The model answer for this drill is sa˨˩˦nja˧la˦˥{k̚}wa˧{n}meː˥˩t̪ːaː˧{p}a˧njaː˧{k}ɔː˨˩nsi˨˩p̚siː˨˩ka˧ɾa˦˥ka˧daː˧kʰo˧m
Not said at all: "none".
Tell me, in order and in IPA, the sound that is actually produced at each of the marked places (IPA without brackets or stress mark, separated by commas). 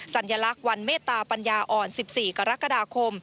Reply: k̚, n, p, ʔ